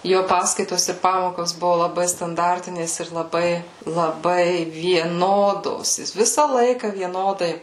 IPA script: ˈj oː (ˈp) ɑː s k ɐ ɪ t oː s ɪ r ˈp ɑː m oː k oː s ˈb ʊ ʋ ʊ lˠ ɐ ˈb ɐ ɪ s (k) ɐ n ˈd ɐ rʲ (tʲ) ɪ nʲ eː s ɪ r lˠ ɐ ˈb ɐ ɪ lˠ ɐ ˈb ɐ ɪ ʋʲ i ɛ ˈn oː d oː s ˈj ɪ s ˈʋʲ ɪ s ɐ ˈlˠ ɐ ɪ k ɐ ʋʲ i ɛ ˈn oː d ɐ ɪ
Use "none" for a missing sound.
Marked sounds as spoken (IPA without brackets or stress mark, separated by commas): p, t, tʲ